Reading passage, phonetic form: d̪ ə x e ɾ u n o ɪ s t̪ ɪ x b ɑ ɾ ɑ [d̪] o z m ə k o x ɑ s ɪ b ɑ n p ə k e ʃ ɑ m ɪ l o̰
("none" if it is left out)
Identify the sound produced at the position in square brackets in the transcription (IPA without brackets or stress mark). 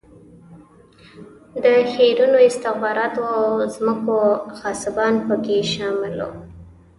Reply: t̪